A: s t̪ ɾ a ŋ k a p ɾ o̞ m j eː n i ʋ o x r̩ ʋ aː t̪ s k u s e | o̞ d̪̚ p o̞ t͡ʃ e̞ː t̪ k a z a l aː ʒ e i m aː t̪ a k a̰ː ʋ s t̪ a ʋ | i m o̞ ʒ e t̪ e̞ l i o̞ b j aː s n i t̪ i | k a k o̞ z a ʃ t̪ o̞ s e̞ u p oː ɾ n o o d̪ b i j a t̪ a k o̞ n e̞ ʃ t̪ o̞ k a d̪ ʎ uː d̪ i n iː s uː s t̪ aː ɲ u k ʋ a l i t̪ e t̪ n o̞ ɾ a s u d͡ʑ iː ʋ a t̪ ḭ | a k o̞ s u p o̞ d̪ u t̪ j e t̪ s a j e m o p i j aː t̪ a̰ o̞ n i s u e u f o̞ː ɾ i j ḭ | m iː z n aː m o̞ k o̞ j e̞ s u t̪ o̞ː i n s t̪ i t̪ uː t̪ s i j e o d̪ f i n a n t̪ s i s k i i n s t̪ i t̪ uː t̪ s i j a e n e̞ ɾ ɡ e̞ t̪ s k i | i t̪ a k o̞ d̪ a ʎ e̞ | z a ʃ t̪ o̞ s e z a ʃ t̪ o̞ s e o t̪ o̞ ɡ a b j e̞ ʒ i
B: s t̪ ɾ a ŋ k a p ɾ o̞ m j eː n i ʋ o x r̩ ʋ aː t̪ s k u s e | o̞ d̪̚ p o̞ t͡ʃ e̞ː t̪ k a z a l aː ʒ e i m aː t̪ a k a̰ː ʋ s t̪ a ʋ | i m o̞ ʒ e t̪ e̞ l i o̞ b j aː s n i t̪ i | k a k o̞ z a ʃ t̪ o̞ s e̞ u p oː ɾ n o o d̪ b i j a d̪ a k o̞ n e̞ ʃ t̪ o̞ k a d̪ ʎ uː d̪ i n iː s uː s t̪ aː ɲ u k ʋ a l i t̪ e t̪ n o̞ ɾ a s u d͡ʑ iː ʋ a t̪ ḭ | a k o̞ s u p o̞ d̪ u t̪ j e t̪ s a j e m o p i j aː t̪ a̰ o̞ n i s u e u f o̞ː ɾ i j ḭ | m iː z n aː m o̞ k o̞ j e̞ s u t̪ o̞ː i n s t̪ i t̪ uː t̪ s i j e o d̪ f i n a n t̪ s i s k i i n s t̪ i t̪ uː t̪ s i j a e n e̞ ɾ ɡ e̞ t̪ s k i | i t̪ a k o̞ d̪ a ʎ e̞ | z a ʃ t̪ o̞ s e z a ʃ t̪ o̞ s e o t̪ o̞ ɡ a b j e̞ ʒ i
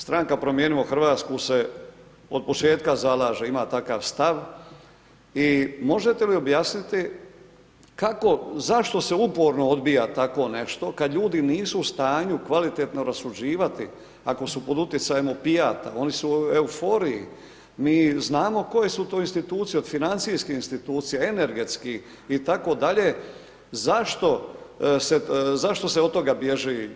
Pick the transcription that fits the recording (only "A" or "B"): A